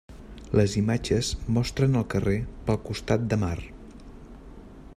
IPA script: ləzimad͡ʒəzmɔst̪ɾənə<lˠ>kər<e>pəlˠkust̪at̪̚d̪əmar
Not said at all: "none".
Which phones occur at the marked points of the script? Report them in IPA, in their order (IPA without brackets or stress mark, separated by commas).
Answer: lˠ, e